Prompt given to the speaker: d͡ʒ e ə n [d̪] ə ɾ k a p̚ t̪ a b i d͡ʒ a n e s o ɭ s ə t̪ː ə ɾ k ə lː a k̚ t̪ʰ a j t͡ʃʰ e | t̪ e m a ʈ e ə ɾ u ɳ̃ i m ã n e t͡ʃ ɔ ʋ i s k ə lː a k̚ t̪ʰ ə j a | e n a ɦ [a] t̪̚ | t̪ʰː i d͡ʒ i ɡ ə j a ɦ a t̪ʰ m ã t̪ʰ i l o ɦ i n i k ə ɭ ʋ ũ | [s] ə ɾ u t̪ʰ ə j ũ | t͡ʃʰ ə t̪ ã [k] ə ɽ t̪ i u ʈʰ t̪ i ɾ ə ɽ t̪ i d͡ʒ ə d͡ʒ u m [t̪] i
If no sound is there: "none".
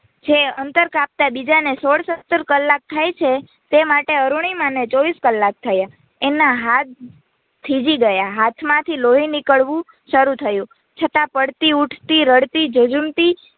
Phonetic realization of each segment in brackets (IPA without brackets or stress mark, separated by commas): t̪, a, ʃ, p, t̪